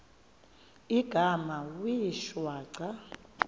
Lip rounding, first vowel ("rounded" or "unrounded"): unrounded